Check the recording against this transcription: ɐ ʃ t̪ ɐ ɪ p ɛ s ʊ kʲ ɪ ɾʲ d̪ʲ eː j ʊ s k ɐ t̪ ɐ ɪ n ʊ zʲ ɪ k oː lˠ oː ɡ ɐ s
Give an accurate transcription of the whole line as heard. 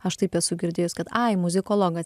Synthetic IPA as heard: ɐ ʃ t̪ ɐ ɪ p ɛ s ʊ ɡʲ ɪ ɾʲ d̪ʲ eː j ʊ s k ɐ t̪ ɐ ɪ m ʊ zʲ ɪ k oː lˠ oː ɡ ɐ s